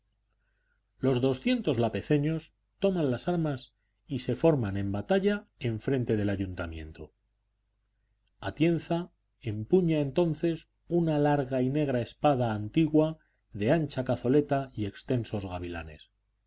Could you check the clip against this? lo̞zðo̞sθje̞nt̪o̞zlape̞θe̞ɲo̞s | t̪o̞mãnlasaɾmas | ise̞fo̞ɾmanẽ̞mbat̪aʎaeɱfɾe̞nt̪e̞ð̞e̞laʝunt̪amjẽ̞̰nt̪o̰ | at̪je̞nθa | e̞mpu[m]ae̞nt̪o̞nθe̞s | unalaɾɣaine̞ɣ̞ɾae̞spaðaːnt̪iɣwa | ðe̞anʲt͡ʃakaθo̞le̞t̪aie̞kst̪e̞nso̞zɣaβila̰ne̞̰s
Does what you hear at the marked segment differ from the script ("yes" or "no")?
yes